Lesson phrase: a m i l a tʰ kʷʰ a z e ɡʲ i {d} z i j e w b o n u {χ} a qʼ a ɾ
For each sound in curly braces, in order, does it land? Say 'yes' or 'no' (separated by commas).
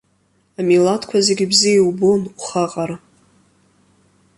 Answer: no, yes